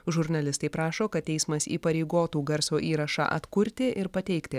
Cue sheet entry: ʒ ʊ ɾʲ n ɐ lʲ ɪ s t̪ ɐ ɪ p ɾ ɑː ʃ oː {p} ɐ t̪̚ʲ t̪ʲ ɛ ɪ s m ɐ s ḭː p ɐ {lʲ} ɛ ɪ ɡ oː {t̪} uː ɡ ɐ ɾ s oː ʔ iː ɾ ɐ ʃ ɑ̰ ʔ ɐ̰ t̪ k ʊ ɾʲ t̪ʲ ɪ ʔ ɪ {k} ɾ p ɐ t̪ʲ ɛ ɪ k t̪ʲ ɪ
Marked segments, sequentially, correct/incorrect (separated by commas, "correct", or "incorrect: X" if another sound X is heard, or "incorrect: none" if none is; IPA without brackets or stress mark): incorrect: k, incorrect: ɾʲ, correct, incorrect: none